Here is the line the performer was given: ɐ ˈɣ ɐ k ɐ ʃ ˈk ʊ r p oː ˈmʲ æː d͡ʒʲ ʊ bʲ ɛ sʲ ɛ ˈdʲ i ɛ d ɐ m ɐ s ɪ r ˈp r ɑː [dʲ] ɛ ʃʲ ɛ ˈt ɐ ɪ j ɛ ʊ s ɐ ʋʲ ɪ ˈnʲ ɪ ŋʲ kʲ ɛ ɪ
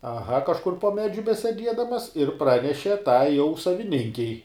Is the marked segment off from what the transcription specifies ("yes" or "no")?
yes